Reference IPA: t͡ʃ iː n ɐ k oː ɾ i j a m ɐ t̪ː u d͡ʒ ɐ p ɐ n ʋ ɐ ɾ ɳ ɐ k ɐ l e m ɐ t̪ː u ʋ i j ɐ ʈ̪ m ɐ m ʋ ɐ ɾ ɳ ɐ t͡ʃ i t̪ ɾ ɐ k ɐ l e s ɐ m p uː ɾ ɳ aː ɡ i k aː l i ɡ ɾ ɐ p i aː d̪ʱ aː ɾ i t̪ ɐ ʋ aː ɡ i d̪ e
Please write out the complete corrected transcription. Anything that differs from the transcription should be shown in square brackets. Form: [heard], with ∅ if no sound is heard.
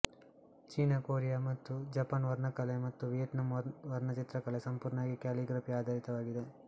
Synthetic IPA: t͡ʃ iː n ɐ k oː ɾ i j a m ɐ t̪ː u d͡ʒ ɐ p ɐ n ʋ ɐ ɾ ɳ ɐ k ɐ l e m ɐ t̪ː u ʋ i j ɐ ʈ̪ [n] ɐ m ʋ ɐ ɾ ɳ ɐ t͡ʃ i t̪ ɾ ɐ k ɐ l e s ɐ m p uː ɾ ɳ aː ɡ i k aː l i ɡ ɾ ɐ p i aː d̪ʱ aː ɾ i t̪ ɐ ʋ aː ɡ i d̪ e

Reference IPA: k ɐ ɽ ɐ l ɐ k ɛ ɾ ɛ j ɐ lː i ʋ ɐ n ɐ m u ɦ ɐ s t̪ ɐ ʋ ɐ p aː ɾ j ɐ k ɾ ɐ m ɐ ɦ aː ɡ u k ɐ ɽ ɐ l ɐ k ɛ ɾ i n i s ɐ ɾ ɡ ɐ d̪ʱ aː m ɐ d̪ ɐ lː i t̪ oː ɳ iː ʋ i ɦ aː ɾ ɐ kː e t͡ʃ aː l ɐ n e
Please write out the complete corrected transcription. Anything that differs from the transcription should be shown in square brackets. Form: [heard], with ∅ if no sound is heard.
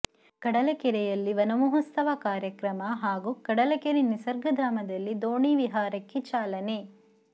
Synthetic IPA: k ɐ ɽ ɐ l ɐ k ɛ ɾ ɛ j ɐ lː i ʋ ɐ n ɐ m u ɦ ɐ s t̪ ɐ ʋ ɐ [k] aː ɾ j ɐ k ɾ ɐ m ɐ ɦ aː ɡ u k ɐ ɽ ɐ l ɐ k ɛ ɾ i n i s ɐ ɾ ɡ ɐ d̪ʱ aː m ɐ d̪ ɐ lː i [d̪] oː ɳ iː ʋ i ɦ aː ɾ ɐ kː e t͡ʃ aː l ɐ n e

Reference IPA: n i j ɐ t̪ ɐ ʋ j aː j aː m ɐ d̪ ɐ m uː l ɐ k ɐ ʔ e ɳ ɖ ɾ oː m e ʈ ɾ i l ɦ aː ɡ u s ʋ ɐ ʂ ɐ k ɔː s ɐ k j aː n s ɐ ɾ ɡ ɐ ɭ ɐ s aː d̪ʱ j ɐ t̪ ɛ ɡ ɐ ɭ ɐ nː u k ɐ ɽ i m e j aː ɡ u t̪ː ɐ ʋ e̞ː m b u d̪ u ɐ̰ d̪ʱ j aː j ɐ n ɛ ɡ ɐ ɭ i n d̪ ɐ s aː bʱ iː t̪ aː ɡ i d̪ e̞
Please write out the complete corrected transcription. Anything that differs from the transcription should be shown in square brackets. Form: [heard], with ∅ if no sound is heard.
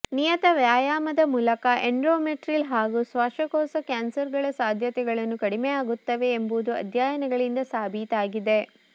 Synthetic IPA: n i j ɐ t̪ ɐ ʋ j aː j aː m ɐ d̪ ɐ m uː l ɐ k ɐ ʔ e ɳ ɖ ɾ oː m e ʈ ɾ i l ɦ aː ɡ u s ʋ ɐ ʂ ɐ k ɔː s ɐ k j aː n s ɐ ɾ ɡ ɐ ɭ ɐ s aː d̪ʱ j ɐ t̪ ɛ ɡ ɐ ɭ ɐ nː u k ɐ ɽ i m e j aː ɡ u t̪ː ɐ ʋ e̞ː m b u d̪ u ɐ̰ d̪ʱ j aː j ɐ n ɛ ɡ ɐ ɭ i n d̪ ɐ s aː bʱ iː t̪ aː ɡ i d̪ e̞

